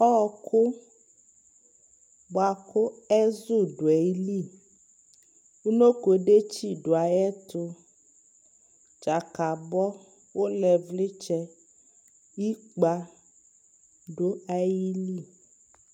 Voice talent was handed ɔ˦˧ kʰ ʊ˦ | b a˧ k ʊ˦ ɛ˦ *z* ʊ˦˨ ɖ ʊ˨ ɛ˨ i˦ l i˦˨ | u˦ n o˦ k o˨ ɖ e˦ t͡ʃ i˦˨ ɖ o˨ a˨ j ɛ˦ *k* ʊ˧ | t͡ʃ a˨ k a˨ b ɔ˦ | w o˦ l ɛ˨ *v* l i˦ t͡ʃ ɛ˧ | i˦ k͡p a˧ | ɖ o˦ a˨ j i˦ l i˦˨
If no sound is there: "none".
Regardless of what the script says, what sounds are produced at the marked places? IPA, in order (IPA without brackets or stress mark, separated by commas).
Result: z, t, v